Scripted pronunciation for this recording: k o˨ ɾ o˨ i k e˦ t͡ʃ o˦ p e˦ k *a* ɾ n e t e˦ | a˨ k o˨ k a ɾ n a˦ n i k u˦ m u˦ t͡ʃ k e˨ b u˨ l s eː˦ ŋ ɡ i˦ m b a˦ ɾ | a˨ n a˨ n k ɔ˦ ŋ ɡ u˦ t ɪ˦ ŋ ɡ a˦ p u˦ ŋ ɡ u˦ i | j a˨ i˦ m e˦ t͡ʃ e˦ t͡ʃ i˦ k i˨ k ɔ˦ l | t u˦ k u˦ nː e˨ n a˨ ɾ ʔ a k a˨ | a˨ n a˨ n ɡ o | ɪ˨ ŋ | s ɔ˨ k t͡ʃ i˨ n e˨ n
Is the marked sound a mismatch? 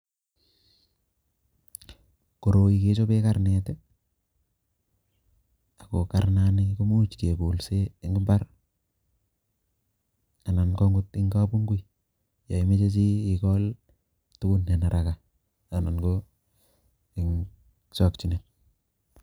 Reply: no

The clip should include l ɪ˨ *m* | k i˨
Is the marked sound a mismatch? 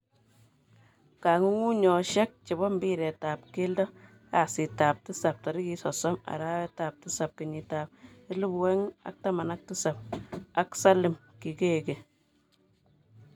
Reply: no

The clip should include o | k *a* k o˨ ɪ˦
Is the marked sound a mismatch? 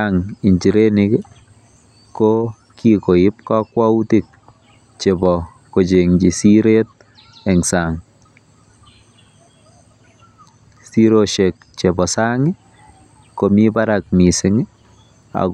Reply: yes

